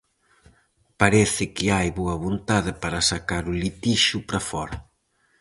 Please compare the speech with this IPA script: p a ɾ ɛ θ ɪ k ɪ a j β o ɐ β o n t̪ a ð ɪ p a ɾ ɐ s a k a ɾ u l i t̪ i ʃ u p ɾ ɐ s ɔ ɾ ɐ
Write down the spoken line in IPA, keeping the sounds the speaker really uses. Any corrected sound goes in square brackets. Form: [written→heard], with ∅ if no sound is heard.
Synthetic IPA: p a ɾ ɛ θ ɪ k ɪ a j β o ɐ β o n t̪ a ð ɪ p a ɾ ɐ s a k a ɾ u l i t̪ i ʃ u p ɾ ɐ [s→f] ɔ ɾ ɐ